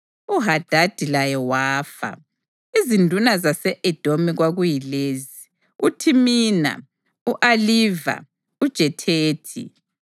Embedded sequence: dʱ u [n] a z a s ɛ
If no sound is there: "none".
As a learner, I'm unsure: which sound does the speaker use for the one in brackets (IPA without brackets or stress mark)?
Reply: n